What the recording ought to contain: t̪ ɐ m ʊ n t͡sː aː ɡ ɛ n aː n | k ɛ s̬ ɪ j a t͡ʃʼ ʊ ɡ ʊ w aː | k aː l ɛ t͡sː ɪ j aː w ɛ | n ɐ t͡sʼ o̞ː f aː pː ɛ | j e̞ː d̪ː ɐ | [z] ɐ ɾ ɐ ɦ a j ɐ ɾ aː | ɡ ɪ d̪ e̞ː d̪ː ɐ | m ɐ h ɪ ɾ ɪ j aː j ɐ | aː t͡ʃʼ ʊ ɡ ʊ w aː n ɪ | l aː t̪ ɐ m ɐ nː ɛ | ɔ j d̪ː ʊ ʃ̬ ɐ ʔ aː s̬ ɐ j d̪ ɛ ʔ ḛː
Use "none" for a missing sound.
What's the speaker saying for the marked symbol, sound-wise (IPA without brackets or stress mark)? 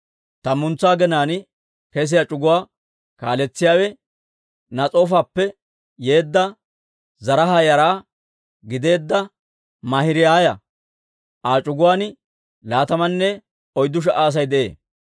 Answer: z